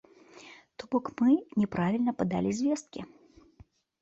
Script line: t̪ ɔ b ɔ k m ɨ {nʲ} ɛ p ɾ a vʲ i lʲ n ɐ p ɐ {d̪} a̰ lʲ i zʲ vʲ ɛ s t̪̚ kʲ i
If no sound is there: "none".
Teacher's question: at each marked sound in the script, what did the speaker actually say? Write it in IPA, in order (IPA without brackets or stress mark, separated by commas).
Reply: nʲ, d̪